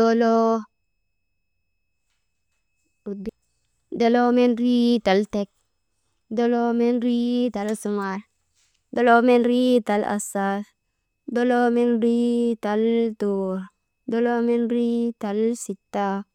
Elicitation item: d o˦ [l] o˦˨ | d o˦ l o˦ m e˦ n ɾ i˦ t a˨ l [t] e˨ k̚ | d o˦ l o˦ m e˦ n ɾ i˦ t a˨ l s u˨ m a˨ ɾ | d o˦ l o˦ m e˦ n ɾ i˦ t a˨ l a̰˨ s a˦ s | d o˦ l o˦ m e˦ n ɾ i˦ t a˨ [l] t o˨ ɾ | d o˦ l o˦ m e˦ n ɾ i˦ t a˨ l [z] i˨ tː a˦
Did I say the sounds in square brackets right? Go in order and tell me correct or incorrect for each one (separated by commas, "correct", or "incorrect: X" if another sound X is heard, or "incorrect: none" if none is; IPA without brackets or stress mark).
correct, correct, correct, incorrect: s